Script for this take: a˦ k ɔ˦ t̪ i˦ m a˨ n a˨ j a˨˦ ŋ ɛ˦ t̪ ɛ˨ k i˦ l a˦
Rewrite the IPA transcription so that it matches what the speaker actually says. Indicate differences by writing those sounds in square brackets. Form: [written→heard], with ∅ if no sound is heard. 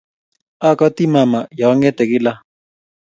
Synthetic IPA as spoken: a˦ k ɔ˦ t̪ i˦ m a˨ [n→m] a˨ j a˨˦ ŋ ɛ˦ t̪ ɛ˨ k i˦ l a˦